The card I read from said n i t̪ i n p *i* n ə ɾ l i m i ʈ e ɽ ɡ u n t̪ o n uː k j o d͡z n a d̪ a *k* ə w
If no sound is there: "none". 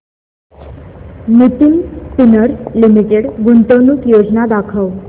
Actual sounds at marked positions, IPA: i, kʰ

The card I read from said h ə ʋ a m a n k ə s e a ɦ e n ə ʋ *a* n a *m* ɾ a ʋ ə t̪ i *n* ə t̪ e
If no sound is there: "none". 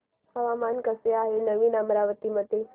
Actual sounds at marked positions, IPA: i, m, m

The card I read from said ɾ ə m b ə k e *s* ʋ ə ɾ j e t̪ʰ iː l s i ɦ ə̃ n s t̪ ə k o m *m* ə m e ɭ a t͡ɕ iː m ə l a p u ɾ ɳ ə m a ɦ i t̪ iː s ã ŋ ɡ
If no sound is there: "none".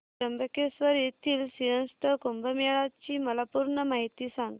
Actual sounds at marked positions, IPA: s, b

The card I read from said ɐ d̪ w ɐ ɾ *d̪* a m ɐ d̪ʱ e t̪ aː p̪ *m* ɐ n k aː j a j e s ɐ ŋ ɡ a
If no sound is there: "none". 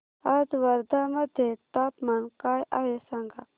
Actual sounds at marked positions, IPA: d̪, m

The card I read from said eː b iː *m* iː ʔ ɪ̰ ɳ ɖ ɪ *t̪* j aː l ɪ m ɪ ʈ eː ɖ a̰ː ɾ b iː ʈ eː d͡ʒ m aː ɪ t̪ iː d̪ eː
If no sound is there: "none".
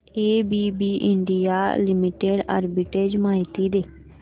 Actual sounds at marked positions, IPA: b, none

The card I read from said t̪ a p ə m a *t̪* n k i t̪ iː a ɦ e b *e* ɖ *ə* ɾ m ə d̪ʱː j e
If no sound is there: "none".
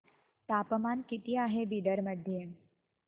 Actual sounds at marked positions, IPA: none, i, ə

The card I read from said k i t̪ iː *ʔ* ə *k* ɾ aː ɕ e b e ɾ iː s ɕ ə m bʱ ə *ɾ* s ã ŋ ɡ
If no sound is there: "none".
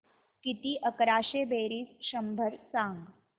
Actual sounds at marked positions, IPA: ʔ, k, ɾ

